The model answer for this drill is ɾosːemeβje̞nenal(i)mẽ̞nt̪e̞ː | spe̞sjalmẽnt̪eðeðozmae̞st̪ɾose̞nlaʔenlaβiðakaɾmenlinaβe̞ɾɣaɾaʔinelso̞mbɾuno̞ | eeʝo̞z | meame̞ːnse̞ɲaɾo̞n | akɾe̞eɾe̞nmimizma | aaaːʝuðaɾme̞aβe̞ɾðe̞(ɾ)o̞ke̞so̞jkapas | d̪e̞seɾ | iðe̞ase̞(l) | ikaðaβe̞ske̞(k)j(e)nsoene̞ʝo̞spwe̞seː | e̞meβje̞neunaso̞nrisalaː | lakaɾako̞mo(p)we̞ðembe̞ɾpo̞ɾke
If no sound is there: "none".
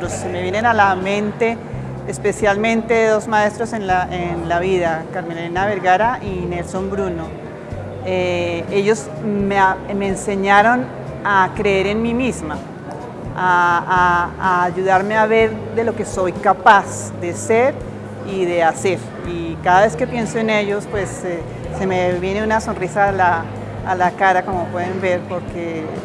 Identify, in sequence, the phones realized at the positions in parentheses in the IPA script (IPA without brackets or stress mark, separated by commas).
a, l, ɾ, p, e, p